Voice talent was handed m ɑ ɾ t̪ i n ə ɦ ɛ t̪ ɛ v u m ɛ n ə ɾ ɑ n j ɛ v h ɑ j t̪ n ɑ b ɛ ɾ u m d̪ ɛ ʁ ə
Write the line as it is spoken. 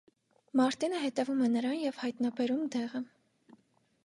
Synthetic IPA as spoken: m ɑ ɾ t̪ i n ə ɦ ɛ t̪ ɛ v u m ɛ n ə ɾ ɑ n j ɛ v h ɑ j t̪ n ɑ b ɛ ɾ u m d̪ ɛ ʁ ə